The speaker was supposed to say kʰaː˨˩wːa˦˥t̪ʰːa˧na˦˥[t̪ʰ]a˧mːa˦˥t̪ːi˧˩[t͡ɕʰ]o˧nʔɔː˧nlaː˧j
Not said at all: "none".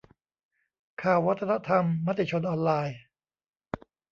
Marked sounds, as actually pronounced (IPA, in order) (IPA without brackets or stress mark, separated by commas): t̪ʰ, t͡ɕʰ